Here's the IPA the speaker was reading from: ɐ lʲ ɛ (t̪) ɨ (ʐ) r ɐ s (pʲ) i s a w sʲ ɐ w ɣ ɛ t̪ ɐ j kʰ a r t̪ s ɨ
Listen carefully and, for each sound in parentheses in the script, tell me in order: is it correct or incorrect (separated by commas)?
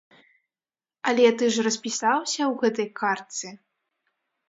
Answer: correct, correct, correct